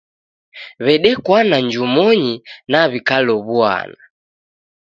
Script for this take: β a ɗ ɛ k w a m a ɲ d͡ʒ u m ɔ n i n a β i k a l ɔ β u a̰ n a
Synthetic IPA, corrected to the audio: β ɛ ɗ ɛ k w a n a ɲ d͡ʒ u m ɔ ɲ i n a β i k a l ɔ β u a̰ n a